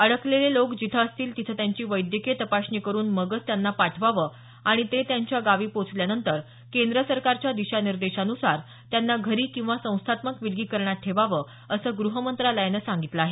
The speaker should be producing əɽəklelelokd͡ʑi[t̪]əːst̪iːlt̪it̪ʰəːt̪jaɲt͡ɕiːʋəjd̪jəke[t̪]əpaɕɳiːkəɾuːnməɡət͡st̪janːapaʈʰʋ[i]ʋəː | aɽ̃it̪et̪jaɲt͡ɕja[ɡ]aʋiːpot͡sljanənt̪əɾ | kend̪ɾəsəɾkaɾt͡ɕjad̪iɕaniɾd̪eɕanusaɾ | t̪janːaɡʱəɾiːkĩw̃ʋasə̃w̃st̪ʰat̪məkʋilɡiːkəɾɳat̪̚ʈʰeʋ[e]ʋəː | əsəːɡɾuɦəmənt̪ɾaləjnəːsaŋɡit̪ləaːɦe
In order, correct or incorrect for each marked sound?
incorrect, correct, incorrect, correct, incorrect

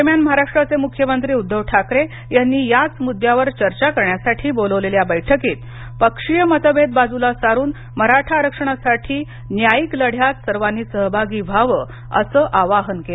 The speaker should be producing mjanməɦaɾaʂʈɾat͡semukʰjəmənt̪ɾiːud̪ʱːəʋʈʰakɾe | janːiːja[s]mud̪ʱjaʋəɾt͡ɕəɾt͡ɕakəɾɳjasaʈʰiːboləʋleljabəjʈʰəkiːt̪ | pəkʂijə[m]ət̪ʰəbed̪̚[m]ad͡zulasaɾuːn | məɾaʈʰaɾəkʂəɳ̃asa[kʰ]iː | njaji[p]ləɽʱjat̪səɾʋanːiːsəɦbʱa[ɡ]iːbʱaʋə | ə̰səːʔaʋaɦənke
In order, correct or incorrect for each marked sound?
incorrect, correct, incorrect, incorrect, incorrect, correct

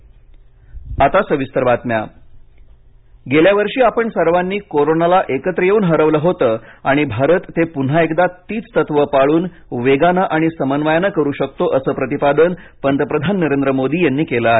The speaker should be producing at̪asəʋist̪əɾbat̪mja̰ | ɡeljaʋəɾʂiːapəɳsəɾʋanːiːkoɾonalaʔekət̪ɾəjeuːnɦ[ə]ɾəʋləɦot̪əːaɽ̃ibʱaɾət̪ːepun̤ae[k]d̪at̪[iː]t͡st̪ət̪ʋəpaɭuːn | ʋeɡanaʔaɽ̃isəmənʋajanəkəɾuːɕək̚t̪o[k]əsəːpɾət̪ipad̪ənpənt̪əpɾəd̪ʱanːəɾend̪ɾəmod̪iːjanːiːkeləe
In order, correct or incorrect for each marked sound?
correct, correct, correct, incorrect

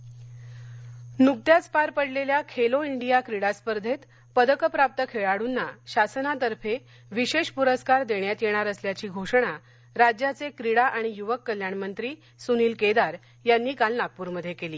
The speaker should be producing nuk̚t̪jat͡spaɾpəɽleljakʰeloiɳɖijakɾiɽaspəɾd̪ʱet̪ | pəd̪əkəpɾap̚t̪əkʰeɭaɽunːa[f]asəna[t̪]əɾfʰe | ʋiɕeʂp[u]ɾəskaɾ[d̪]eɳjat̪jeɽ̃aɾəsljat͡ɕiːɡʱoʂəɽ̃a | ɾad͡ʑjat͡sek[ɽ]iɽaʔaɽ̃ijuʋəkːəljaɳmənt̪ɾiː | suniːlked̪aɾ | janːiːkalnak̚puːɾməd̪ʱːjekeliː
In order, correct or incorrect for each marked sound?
incorrect, correct, correct, correct, incorrect

